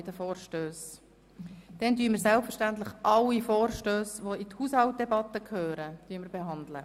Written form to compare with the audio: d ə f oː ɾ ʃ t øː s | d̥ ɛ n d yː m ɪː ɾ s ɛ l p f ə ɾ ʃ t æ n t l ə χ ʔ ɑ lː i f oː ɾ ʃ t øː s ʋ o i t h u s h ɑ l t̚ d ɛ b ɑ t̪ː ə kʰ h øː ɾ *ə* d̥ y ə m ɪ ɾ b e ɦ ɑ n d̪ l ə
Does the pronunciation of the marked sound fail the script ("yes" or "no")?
no